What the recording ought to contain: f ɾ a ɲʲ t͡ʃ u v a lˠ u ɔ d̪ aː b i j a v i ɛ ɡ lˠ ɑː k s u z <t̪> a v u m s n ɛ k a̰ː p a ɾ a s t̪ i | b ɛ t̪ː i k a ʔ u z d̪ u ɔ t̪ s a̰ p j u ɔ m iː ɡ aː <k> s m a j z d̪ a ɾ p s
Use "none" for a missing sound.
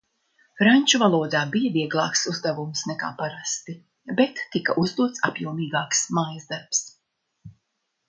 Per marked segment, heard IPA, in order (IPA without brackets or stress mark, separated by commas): d̪, k